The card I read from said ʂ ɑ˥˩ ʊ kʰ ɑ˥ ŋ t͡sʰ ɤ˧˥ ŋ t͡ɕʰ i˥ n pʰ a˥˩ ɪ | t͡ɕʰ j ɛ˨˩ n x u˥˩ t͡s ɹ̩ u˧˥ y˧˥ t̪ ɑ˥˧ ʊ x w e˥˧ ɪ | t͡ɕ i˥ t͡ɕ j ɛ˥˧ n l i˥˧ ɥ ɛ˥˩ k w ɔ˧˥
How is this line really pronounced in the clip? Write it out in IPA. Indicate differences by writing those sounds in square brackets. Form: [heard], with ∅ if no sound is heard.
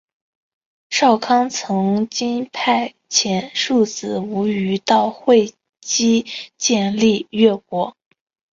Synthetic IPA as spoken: ʂ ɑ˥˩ ʊ kʰ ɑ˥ ŋ t͡sʰ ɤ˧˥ ŋ [t͡ɕ] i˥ n pʰ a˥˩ ɪ | t͡ɕʰ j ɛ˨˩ n [ʂ] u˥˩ t͡s ɹ̩ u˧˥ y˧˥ t̪ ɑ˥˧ ʊ x w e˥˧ ɪ | t͡ɕ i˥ t͡ɕ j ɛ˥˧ n l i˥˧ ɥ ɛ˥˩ k w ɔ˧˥